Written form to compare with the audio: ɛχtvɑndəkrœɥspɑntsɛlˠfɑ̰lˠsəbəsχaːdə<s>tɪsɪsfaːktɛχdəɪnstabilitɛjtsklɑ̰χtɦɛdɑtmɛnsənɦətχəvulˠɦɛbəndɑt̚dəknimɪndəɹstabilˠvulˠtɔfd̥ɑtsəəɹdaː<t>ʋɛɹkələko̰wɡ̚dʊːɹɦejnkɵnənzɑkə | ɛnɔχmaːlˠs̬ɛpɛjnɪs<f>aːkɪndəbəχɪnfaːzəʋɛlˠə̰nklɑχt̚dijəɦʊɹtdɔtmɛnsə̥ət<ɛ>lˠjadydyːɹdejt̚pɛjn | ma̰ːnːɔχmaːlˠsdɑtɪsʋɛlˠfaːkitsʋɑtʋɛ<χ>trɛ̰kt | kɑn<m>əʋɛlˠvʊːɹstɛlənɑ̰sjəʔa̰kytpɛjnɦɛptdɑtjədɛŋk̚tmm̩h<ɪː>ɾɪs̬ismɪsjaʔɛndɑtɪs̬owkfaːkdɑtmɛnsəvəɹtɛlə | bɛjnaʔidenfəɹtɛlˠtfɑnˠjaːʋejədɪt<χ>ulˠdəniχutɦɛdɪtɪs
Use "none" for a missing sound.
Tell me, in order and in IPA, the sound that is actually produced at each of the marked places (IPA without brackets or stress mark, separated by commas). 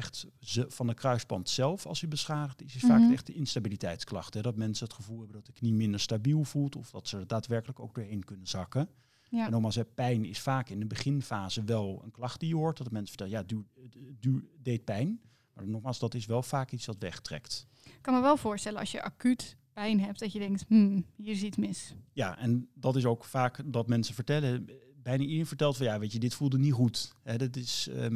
χ, t, f, ɛ, χ, m, iː, f